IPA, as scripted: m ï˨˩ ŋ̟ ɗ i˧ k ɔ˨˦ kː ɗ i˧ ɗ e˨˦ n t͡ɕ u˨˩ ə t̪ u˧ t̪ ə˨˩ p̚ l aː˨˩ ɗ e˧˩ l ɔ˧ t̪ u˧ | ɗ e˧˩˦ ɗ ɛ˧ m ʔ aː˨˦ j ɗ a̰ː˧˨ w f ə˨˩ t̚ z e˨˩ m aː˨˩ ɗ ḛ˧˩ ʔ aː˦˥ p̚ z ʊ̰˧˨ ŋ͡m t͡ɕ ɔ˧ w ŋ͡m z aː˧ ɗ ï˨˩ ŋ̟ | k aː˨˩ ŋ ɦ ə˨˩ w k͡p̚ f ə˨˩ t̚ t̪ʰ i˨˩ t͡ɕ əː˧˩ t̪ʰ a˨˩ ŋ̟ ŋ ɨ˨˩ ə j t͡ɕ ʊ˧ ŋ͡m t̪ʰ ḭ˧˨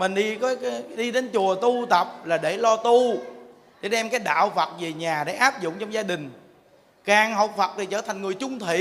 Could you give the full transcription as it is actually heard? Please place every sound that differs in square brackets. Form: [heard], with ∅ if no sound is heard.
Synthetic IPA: m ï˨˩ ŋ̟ ɗ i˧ k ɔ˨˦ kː ɗ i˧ ɗ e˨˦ n t͡ɕ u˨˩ ə t̪ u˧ t̪ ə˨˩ p̚ l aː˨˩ ɗ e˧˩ l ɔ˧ t̪ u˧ | ɗ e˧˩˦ ɗ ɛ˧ m [k] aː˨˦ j ɗ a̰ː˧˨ w f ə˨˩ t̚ [v] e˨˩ [ɲ] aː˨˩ ɗ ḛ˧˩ ʔ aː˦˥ p̚ z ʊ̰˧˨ ŋ͡m t͡ɕ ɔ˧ w ŋ͡m z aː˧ ɗ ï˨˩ ŋ̟ | k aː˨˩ ŋ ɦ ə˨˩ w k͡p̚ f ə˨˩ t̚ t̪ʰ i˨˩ t͡ɕ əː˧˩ t̪ʰ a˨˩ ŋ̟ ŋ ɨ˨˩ ə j t͡ɕ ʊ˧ ŋ͡m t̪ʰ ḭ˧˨